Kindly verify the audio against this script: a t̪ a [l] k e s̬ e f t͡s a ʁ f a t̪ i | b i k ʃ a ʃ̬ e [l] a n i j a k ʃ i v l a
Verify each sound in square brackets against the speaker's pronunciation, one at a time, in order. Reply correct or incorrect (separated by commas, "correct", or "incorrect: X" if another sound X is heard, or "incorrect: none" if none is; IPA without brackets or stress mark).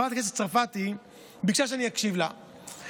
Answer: incorrect: none, incorrect: none